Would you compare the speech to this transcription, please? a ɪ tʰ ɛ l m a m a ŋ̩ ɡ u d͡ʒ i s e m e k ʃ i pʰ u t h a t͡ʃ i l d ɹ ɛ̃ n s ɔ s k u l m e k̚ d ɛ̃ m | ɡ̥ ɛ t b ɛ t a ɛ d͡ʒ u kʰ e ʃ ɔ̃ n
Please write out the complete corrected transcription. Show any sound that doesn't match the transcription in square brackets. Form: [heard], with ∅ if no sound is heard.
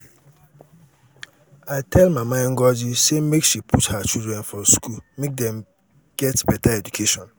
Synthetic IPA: a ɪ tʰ ɛ l m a m a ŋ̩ ɡ [ɔ] d͡ʒ i s e m e k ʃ i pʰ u t h a t͡ʃ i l d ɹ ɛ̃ n [f] ɔ s k u l m e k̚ d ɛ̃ m | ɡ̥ ɛ t b ɛ t a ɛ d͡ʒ u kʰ e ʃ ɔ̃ n

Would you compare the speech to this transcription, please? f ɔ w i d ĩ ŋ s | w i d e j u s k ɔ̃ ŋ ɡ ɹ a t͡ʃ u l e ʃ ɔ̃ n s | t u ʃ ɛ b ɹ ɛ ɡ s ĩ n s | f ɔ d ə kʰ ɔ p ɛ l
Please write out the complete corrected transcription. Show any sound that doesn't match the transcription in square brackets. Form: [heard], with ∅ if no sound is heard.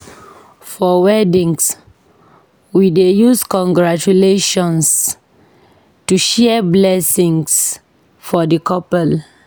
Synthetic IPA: f ɔ w [ɛ] d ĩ ŋ s | w i d e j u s k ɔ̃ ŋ ɡ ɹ a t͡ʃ u l e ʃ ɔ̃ n s | t u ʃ ɛ b [l] ɛ [∅] s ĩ [ŋ] s | f ɔ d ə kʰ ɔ p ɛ l

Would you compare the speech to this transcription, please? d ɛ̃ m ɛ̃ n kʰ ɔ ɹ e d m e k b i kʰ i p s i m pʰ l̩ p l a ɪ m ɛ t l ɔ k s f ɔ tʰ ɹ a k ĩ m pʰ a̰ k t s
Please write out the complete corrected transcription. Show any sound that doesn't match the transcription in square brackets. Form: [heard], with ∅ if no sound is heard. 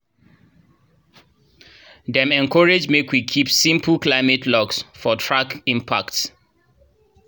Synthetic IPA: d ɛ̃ m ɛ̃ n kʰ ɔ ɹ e [d͡ʒ] m e k [w] i kʰ i p s [ĩ] m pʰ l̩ [k] l a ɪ m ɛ t l ɔ k s f ɔ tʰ ɹ a k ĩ m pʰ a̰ k t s

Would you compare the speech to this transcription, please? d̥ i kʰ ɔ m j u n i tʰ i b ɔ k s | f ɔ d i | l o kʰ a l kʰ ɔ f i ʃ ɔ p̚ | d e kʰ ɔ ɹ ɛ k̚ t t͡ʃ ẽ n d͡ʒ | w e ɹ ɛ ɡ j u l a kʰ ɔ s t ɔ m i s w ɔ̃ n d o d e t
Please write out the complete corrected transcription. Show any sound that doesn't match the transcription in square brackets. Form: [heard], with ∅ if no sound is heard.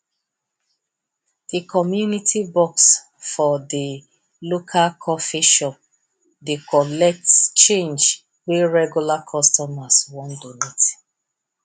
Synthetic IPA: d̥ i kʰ ɔ m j u n i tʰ i b ɔ k s | f ɔ d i | l o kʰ a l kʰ ɔ f i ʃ ɔ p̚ | d e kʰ ɔ [l] ɛ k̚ t t͡ʃ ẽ n d͡ʒ | w e ɹ ɛ ɡ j u l a kʰ ɔ s t ɔ m [a] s w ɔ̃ n d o [n] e t

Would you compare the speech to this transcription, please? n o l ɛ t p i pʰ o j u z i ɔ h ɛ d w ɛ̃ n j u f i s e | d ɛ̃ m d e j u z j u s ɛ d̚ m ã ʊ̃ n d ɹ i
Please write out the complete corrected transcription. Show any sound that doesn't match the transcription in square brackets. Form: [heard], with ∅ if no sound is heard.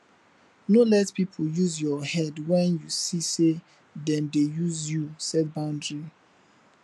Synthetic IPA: n o l ɛ t p i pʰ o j u z [j] ɔ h ɛ d w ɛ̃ n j u [s] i s e | d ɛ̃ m d e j u z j u s ɛ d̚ [b] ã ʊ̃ n d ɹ i

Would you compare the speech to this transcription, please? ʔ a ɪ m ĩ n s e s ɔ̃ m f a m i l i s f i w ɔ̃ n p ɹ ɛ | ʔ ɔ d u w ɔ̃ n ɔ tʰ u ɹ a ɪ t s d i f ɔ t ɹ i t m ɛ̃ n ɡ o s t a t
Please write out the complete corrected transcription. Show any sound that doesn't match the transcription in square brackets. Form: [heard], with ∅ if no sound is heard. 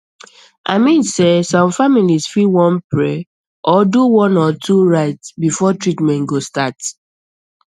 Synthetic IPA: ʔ a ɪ m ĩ n s e s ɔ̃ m f a m i l i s f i w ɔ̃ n p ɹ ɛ | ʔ ɔ d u w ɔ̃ n ɔ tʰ u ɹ a ɪ t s [b] i f ɔ t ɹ i t m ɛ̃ n ɡ o s t a t

